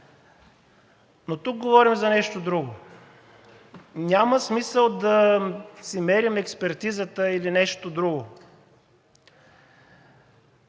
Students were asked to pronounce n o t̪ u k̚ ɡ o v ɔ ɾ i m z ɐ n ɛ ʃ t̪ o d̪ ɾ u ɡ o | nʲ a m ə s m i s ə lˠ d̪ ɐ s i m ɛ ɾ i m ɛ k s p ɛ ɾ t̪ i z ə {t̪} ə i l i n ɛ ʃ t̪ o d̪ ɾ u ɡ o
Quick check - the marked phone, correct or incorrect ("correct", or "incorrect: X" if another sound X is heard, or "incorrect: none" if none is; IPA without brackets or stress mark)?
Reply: correct